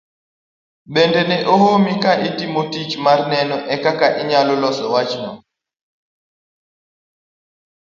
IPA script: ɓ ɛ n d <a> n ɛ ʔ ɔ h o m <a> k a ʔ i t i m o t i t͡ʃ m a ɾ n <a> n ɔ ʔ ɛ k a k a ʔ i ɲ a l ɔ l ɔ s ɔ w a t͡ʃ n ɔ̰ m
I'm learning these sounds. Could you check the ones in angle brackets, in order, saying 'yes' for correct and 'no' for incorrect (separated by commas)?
no, no, no